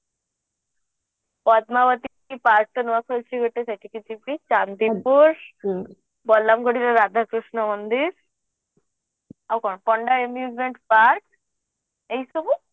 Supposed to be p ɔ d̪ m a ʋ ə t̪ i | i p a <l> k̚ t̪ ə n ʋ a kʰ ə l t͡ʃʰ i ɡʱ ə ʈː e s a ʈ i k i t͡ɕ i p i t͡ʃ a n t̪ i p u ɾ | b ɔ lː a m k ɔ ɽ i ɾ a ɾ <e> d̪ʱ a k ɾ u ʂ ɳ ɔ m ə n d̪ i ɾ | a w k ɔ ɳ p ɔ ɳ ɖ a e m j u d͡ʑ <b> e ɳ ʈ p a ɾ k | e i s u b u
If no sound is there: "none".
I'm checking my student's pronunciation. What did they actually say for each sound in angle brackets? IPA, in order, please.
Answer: ɾ, a, m

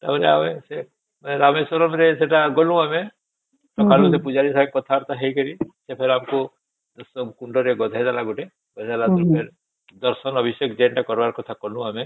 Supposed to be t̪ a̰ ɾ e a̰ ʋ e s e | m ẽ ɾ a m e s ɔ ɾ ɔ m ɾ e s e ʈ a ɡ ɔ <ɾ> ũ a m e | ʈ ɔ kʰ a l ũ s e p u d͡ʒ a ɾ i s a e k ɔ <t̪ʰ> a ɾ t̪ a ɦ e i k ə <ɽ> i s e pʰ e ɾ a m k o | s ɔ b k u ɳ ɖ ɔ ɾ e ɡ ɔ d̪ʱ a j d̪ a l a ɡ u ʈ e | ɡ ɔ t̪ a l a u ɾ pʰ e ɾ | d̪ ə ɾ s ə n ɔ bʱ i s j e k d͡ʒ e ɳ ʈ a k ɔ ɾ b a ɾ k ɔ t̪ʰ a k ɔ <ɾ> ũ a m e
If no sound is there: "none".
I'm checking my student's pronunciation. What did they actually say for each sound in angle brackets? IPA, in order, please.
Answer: l, t̪ʰ, ɾ, l

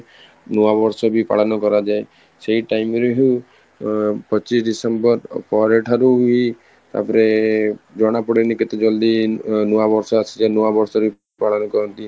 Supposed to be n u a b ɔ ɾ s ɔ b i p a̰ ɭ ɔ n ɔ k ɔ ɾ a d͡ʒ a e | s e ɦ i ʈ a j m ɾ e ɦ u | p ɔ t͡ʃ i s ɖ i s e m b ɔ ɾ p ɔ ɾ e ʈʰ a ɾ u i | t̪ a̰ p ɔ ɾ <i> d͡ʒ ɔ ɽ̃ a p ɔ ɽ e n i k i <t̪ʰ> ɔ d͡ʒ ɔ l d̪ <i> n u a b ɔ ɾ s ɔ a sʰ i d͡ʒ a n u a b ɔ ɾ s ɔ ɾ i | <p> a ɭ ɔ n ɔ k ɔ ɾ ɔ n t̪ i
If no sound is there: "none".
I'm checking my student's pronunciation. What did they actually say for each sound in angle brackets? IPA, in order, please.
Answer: e, t̪, i, p

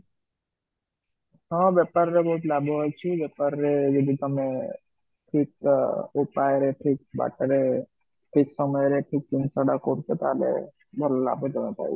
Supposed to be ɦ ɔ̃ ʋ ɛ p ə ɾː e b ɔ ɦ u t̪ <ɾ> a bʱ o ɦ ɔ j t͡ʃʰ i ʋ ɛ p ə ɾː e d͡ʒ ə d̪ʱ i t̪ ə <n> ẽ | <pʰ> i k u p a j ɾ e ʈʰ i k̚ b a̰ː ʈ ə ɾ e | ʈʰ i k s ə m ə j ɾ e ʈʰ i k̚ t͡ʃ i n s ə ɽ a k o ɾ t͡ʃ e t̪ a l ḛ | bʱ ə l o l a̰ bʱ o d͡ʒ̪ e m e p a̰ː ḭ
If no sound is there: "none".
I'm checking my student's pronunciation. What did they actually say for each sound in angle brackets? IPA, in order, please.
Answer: l, m, ʈʰ

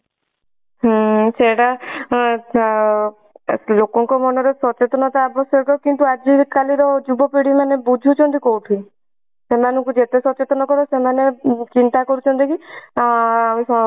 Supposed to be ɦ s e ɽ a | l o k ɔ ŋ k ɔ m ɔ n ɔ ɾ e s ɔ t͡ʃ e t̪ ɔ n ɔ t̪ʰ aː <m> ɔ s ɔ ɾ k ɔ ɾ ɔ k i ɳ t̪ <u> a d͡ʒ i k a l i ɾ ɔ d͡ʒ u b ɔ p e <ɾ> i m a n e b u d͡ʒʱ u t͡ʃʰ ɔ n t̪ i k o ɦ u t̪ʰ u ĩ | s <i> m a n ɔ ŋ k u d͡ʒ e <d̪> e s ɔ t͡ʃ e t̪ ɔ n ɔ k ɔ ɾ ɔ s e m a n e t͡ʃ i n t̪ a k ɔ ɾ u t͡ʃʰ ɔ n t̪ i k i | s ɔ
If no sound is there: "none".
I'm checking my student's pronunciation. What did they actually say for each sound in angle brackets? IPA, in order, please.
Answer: b, u, ɽ, e, t̪

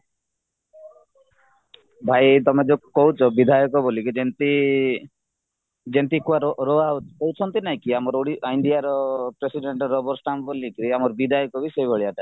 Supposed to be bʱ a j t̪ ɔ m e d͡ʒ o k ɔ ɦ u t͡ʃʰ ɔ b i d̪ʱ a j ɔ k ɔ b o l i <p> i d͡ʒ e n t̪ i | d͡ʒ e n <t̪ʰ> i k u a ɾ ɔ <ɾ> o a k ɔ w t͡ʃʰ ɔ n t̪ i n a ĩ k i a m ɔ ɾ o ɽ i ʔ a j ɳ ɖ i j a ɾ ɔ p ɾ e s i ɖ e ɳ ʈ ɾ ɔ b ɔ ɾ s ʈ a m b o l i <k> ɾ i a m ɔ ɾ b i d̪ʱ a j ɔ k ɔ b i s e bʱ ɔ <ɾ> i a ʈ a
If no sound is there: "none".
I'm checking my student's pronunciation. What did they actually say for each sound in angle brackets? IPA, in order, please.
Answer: k, t̪, ɾ, k, ɭ

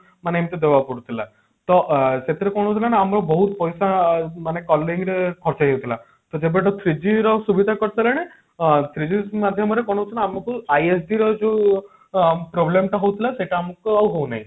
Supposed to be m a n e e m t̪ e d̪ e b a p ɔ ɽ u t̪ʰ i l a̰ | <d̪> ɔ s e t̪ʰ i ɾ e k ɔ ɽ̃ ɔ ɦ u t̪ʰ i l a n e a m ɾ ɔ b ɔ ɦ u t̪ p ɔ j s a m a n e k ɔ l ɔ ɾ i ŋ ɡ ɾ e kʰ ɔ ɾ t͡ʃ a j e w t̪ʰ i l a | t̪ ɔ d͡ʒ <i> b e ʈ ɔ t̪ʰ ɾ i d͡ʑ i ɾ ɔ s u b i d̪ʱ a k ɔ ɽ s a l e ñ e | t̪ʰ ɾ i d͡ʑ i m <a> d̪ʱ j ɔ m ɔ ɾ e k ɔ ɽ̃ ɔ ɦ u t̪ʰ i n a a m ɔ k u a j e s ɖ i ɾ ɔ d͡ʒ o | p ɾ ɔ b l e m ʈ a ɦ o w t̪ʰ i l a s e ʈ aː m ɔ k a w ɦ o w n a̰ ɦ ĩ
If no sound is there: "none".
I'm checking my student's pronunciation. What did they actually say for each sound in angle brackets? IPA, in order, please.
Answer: t̪, e, a

